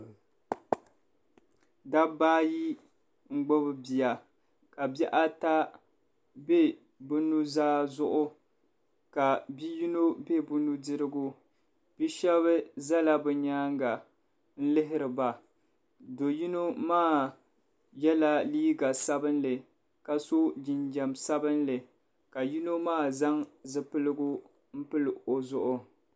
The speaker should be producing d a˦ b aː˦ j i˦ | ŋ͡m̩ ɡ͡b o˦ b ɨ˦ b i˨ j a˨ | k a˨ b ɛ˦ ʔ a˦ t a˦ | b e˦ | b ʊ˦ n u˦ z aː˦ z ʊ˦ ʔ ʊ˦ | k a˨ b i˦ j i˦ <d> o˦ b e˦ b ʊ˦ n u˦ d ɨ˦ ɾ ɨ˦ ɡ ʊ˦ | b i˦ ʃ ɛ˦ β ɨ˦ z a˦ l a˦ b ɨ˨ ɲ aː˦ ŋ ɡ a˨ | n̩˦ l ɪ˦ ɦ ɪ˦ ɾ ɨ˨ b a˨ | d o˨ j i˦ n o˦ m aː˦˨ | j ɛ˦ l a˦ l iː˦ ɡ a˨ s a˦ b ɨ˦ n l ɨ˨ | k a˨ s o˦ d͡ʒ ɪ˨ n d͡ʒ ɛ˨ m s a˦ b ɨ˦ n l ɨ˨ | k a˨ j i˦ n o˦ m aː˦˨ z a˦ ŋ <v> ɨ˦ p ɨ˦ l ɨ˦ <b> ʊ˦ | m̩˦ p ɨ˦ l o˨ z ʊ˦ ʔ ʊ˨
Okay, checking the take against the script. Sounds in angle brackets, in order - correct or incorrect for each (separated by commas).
incorrect, incorrect, incorrect